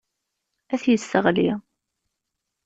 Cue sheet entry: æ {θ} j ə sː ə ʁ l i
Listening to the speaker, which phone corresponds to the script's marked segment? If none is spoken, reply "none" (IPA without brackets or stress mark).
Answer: θ